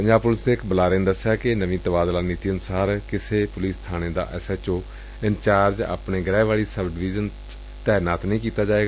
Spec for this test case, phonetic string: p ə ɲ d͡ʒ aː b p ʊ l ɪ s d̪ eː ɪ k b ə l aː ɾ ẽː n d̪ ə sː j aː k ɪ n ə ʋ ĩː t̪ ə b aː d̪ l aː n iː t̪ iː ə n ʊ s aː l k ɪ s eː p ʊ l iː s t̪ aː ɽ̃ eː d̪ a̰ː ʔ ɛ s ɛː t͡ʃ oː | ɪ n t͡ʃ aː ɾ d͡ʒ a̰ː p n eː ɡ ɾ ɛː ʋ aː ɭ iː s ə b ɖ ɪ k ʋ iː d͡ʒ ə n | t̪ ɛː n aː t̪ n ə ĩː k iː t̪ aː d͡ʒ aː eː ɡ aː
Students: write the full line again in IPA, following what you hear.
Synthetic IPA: p ə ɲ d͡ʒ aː b p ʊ l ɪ s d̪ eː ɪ k b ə l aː ɾ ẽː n d̪ ə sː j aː k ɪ n ə ʋ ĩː t̪ ə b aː d̪ l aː n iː t̪ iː ə n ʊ s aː ɾ k ɪ s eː p ʊ l iː s t̪ʰ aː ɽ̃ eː d̪ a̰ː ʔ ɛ s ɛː t͡ʃ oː | ɪ n t͡ʃ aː ɾ d͡ʒ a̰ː p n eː ɡ ɾ ɛː ʋ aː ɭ iː s ə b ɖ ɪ ʋ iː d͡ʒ ə n | t̪ ɛː n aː t̪ n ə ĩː k iː t̪ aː d͡ʒ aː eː ɡ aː